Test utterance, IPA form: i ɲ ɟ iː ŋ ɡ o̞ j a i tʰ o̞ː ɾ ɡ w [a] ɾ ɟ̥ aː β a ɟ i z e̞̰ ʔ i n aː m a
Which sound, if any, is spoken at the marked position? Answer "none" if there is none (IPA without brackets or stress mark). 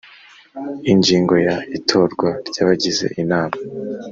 a